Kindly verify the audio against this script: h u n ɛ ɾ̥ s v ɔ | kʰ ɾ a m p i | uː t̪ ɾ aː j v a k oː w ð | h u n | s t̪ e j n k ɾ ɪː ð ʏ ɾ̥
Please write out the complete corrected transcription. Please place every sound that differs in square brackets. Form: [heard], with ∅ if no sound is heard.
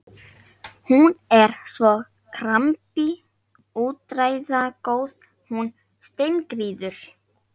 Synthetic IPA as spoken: h u n ɛ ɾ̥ s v ɔ | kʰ ɾ a m p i | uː t̪ ɾ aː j [ð] a k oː w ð | h u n | s t̪ e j n k ɾ [iː] ð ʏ ɾ̥

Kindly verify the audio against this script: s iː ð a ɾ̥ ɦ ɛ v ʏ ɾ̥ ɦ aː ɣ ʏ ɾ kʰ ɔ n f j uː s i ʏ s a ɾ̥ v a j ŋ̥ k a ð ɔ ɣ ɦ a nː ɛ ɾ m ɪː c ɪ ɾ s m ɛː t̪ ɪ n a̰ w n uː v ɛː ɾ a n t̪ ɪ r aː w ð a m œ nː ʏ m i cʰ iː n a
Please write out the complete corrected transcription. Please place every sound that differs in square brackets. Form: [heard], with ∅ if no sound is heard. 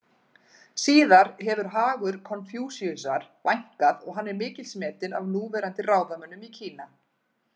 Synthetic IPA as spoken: s iː ð a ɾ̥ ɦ ɛ v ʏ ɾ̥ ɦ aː ɣ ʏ ɾ kʰ ɔ n f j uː s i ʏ s a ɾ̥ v a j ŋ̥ k a ð ɔ ɣ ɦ a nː ɛ ɾ m ɪː c ɪ [l] s m ɛː t̪ ɪ n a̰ [v] n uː v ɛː ɾ a n t̪ ɪ r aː w ð a m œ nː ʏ m i cʰ iː n a

